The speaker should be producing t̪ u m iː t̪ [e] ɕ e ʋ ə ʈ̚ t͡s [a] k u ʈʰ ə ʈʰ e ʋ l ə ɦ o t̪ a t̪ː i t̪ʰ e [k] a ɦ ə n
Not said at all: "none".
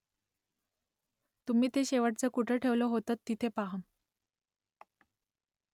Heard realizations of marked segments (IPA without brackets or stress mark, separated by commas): e, ə, p